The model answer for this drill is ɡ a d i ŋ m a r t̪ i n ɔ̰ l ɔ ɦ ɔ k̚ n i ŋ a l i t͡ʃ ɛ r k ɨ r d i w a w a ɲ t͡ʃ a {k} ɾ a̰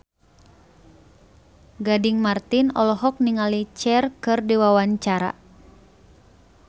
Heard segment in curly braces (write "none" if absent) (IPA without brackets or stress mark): none